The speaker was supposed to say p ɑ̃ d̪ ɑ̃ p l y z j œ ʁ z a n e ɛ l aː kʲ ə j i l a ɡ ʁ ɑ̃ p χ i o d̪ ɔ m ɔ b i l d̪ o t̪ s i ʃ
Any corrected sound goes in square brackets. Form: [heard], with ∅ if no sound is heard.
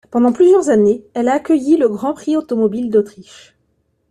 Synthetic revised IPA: p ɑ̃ d̪ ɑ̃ p l y z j œ ʁ z a n e ɛ l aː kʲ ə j i l [ə] ɡ ʁ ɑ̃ p χ i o [t̪] ɔ m ɔ b i l d̪ o t̪ [χ] i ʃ